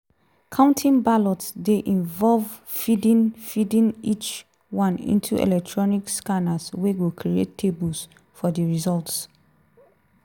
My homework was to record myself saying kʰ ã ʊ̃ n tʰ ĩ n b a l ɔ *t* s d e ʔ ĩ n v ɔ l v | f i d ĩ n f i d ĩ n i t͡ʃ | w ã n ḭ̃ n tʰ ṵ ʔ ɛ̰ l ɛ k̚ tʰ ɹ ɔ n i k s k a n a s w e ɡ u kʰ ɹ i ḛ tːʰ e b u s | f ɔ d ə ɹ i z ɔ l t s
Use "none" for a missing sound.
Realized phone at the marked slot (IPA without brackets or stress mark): t